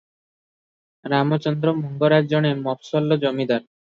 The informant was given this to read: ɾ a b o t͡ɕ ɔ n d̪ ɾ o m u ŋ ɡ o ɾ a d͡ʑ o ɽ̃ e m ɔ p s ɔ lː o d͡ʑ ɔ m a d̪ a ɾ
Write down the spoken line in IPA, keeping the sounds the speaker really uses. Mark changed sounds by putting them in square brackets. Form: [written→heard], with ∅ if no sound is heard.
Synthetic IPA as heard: ɾ a [b→m] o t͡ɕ ɔ n d̪ ɾ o m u ŋ ɡ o ɾ a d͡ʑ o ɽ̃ e m ɔ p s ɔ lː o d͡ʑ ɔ m [a→i] d̪ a ɾ